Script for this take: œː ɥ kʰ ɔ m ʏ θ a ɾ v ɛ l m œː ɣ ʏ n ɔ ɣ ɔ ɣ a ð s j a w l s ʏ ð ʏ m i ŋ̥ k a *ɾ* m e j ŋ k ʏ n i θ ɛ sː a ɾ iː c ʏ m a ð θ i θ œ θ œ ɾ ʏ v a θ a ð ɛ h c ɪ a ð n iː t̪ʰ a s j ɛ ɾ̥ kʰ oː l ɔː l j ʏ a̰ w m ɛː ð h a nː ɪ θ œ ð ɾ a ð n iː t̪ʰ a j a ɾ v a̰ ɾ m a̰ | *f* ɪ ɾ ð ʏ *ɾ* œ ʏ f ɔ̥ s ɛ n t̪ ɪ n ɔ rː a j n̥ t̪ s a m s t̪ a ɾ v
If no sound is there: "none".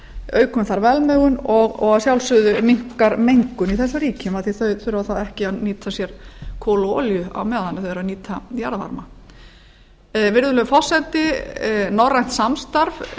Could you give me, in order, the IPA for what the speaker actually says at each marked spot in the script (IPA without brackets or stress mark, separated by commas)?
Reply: ɾ, v, l